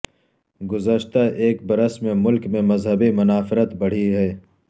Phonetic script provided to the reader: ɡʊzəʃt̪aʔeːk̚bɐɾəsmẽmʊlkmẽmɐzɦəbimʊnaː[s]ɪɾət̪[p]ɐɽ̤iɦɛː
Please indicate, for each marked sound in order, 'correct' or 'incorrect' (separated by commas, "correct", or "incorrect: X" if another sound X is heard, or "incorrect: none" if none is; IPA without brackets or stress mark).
incorrect: f, incorrect: b